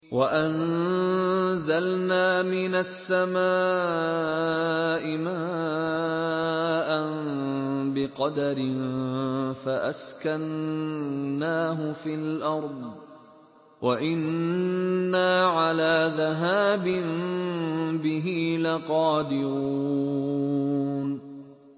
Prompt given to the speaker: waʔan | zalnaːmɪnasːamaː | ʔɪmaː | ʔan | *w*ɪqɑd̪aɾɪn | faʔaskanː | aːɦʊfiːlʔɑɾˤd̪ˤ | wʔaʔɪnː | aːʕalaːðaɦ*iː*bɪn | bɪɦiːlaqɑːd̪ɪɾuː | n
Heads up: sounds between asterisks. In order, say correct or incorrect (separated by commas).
incorrect, incorrect